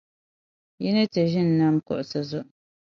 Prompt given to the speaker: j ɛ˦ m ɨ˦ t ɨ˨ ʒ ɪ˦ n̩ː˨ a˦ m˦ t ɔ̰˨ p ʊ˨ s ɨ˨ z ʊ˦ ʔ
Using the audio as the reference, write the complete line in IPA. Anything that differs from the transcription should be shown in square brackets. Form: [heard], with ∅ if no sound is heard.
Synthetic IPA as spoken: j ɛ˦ [n] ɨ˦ t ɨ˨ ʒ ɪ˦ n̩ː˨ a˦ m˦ [k] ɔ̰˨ [ʔ] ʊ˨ s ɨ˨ z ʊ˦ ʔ